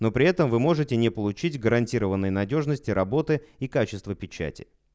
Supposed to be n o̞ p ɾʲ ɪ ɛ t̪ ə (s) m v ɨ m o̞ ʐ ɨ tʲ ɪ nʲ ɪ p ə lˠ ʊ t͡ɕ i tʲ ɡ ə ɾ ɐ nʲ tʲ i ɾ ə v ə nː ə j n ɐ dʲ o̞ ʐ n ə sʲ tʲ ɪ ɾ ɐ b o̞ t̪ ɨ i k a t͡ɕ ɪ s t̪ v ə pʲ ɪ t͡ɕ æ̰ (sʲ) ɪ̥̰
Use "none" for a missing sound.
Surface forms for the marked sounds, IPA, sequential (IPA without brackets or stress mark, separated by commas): none, tʲ